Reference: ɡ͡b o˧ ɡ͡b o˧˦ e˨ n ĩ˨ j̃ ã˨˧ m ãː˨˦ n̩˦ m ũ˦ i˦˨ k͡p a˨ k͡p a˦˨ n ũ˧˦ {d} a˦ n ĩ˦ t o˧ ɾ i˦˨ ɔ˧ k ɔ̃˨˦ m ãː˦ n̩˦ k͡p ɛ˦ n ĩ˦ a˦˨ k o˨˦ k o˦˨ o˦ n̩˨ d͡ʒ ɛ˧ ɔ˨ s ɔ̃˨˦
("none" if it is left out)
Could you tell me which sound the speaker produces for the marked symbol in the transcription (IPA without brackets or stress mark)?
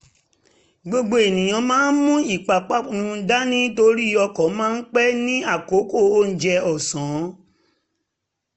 d